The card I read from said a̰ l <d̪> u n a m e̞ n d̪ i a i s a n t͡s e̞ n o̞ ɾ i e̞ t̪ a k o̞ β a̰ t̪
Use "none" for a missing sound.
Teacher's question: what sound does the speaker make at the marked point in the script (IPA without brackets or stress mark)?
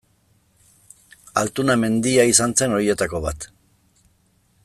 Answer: t̪